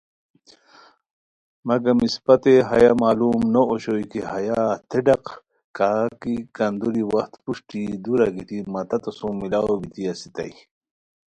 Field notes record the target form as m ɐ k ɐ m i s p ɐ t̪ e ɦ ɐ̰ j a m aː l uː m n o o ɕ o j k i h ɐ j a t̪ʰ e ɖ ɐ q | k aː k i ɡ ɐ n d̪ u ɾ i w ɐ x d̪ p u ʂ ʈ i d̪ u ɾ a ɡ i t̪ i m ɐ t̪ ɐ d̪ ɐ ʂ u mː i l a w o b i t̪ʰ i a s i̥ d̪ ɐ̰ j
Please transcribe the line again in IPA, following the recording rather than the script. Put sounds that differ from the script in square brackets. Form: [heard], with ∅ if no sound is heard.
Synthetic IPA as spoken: m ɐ [ɡ] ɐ m i s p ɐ t̪ e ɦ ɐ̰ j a m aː l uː m n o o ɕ o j k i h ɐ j a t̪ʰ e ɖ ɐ q | k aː k i [k] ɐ n d̪ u ɾ i w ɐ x [t̪] p u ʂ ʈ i d̪ u ɾ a ɡ i t̪ i m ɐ t̪ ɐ [t̪] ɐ [s] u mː i l a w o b i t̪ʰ i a s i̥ [t̪] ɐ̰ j